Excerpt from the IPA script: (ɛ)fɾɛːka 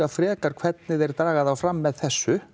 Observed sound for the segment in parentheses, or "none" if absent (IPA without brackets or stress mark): a